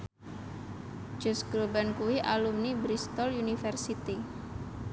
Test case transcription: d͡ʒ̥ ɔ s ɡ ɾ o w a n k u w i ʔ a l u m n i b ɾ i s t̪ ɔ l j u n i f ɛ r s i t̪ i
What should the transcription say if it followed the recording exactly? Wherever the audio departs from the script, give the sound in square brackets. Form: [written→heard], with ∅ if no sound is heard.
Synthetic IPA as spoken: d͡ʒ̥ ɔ s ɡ ɾ o [w→b] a n k u w i ʔ a l u m n i b ɾ i s t̪ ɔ l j u n i f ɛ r s i t̪ i